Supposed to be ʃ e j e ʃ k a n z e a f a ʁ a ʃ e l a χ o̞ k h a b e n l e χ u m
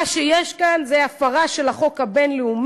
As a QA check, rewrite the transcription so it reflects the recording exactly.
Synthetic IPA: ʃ e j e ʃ k a n z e a f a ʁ a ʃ e l a χ o̞ k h a b e n l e u m